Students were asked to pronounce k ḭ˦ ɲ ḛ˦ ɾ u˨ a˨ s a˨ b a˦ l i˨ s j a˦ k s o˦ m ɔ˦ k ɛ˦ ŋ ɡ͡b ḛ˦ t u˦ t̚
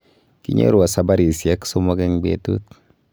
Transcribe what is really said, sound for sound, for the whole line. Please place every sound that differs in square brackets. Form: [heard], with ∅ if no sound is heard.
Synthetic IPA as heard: k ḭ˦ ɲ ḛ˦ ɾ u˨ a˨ s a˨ b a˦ [ɾ] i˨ s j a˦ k s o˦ m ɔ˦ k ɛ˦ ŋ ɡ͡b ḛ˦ t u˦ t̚